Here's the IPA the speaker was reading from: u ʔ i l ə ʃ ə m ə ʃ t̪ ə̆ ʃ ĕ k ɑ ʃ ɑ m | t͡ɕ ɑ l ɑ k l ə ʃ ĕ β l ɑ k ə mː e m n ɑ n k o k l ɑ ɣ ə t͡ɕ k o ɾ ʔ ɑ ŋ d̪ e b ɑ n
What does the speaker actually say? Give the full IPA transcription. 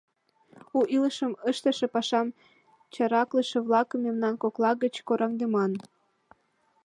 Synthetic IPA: u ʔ i l ə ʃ ə m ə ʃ t̪ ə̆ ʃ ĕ p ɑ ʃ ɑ m | t͡ɕ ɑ ɾ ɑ k l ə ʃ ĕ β l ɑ k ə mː e m n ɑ n k o k l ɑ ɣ ə t͡ɕ k o ɾ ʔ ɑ ŋ d̪ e m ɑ n